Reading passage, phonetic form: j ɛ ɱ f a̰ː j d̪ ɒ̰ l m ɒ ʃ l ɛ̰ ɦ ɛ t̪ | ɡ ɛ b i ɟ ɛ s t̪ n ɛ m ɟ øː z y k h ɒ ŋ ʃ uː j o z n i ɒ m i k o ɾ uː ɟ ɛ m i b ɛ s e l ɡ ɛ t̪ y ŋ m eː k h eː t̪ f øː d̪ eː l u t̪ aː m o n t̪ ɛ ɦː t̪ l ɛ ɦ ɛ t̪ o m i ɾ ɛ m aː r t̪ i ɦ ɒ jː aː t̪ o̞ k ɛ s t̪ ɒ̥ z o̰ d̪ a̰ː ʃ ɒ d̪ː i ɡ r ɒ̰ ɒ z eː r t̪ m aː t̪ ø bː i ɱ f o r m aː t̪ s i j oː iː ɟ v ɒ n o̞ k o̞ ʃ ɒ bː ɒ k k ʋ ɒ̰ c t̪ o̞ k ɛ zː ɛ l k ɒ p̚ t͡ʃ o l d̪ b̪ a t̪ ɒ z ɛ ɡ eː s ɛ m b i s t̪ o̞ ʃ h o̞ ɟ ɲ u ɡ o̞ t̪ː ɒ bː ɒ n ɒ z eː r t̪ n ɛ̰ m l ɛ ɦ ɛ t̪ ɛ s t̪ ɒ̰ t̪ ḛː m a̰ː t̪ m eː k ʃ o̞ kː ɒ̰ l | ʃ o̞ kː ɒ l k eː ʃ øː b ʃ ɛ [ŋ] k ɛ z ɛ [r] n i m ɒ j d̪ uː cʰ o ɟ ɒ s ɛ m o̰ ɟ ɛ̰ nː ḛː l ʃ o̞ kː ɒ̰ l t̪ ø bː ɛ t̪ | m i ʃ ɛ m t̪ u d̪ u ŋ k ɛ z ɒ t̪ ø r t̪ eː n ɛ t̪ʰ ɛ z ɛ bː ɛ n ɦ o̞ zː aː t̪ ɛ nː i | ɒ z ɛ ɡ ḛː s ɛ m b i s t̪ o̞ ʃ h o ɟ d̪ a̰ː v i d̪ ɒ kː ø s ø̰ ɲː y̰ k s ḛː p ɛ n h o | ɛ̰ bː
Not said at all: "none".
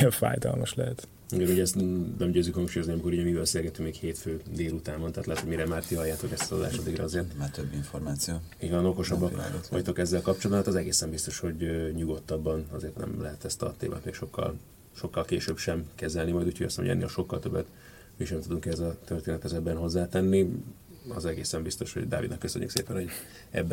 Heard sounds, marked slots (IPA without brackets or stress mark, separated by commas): m, l